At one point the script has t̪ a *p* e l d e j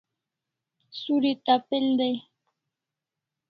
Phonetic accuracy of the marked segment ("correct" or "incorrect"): correct